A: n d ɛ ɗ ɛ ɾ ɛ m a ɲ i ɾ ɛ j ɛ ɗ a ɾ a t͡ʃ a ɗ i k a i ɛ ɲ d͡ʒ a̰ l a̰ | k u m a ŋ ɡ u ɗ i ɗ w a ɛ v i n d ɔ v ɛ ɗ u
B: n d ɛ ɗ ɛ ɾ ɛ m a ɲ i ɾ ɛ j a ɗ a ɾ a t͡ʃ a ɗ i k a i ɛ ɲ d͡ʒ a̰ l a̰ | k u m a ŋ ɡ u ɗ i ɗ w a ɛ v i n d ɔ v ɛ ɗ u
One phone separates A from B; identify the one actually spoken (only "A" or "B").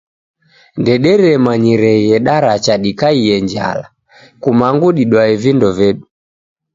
A